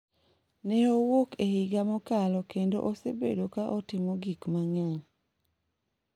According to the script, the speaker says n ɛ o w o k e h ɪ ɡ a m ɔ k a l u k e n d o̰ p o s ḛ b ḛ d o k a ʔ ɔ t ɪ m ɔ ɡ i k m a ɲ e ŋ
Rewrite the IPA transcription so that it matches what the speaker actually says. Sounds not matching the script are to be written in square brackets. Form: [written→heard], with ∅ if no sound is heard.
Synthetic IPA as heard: n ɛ o w o k e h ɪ ɡ a m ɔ k a l [u→ɔ] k e n d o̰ [p→ʔ] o s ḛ b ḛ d o k a ʔ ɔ t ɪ m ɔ ɡ i k m a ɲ [e→a] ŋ